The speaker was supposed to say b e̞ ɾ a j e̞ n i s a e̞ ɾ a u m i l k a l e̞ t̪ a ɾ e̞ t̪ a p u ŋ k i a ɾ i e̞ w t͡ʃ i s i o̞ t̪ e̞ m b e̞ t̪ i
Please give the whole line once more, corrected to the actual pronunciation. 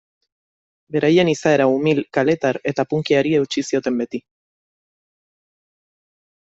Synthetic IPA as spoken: b e̞ ɾ a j e̞ n i s a e̞ ɾ a u m i l k a l e̞ t̪ a ɾ e̞ t̪ a p u ŋ k i a ɾ i e̞ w t͡ʃ i s i o̞ t̪ e̞ m b e̞ t̪ i